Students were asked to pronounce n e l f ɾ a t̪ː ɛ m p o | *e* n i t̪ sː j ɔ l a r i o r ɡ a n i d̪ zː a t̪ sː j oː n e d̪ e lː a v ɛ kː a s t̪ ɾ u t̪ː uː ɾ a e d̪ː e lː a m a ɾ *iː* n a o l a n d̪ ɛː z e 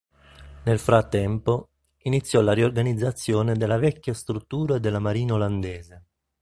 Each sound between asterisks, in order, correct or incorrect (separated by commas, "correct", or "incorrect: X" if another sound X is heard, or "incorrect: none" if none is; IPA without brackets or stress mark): incorrect: i, correct